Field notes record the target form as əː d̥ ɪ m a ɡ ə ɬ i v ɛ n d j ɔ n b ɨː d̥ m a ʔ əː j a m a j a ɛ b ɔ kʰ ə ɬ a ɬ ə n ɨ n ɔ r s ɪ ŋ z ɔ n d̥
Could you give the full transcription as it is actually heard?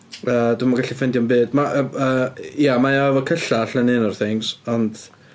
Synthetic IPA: əː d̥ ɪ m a ɡ a ɬ i f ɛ n d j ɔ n b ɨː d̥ m a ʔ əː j a m a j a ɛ v ɔ kʰ ə ɬ a ɬ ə n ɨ n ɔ r θ ɪ ŋ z ɔ n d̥